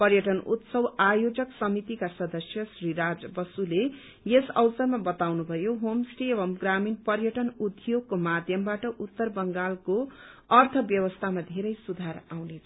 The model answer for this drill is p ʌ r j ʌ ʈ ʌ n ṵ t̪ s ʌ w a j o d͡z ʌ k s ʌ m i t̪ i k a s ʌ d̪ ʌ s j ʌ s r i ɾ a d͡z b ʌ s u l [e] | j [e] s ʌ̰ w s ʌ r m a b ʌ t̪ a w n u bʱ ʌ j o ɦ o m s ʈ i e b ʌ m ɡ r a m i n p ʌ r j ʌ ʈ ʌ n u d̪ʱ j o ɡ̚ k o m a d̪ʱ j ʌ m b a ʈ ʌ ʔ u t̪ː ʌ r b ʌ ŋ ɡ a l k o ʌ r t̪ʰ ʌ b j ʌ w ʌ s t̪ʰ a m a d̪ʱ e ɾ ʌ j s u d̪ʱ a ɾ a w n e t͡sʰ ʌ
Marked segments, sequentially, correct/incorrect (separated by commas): correct, correct